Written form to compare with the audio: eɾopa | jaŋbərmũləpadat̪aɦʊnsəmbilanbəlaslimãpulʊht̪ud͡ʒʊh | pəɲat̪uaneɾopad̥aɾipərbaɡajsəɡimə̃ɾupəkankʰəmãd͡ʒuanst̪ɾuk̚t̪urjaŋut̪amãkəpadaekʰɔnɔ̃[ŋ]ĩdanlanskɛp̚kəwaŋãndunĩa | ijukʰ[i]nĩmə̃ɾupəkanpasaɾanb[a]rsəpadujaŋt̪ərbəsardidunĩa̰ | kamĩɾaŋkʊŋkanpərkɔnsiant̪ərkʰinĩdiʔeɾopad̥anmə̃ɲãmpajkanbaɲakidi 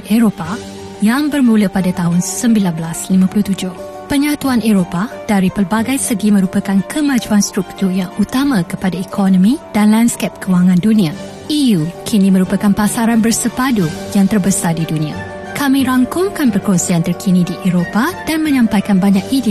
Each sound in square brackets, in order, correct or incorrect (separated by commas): incorrect, correct, incorrect